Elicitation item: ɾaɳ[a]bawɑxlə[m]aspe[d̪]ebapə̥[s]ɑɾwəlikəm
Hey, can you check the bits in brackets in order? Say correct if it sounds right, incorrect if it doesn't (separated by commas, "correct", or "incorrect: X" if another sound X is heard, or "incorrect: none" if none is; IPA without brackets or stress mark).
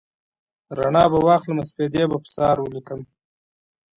incorrect: ɑ, correct, correct, correct